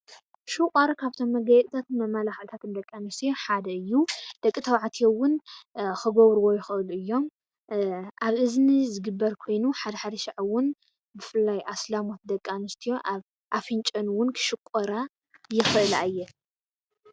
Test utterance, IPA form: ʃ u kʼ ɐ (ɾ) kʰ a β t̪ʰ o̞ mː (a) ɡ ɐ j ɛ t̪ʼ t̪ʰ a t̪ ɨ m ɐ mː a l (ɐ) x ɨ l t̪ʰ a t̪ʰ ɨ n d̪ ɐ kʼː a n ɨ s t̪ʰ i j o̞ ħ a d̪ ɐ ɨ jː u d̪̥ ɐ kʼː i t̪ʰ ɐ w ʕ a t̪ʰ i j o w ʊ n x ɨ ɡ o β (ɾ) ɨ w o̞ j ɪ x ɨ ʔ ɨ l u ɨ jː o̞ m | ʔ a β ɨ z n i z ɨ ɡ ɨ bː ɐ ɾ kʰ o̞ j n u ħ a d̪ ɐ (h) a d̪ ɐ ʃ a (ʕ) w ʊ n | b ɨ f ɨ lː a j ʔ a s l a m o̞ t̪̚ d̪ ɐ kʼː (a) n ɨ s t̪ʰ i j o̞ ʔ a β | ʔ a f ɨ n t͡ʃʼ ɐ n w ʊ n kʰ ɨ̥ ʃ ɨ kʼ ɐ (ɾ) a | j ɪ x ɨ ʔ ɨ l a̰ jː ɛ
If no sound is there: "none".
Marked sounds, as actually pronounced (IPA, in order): ɾ, ɐ, a, ɾ, ħ, ʕ, a, ɾ

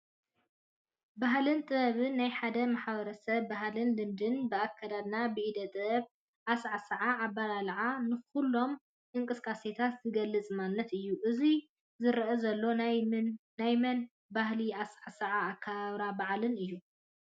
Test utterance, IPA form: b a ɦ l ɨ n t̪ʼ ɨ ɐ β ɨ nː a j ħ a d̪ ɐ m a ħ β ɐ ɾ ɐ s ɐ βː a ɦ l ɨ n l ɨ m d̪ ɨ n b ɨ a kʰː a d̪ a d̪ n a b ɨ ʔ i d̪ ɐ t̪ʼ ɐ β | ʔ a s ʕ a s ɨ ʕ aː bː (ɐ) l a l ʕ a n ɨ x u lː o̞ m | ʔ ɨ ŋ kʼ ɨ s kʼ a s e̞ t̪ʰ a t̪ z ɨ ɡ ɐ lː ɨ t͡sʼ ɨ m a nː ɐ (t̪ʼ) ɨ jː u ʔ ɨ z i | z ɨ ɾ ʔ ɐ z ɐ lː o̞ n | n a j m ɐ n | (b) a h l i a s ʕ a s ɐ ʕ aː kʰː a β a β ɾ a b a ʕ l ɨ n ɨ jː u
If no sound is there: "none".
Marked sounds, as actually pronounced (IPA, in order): a, t̪, b

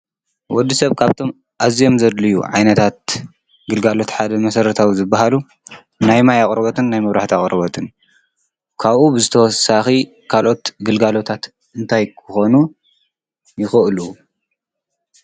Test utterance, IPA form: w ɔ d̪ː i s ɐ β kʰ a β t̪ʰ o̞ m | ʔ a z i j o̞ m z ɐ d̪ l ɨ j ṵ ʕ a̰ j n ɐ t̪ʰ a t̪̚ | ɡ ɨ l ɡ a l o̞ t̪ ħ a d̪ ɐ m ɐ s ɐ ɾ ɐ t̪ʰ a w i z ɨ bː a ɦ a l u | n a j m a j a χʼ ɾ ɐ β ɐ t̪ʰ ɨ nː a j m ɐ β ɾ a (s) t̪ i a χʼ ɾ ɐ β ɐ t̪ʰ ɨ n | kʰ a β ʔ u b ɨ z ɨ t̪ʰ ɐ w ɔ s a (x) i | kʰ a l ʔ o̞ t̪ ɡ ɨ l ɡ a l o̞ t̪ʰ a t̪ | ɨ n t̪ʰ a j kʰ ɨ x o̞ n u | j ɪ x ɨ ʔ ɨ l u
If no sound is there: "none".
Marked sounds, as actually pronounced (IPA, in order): ħ, x

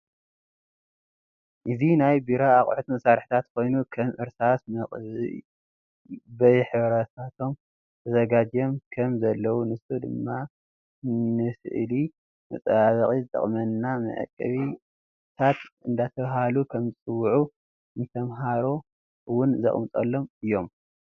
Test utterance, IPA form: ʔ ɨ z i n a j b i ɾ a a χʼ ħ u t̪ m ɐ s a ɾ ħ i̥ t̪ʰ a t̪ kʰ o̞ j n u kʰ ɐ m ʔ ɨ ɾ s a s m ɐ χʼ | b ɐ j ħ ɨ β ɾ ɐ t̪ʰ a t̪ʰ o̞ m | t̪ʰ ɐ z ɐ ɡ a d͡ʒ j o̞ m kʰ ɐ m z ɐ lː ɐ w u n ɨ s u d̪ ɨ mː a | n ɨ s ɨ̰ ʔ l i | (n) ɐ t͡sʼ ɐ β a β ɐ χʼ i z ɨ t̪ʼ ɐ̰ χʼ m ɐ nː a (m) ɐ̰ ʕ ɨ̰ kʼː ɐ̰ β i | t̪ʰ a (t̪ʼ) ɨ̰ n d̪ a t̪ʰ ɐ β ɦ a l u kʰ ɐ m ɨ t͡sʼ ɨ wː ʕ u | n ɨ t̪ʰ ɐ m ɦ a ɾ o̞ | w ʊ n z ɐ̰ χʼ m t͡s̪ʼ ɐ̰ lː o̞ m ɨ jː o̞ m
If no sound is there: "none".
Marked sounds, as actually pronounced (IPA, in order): m, m, t̪

